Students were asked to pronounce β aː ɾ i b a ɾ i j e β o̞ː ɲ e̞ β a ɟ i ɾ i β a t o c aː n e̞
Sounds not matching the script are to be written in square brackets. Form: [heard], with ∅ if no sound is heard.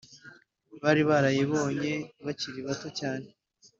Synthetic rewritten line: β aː ɾ i [β] a ɾ [a] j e β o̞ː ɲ e̞ β a [c] i ɾ i β a t o c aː n e̞